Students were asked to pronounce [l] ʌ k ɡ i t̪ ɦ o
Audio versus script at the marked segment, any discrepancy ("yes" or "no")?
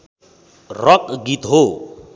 yes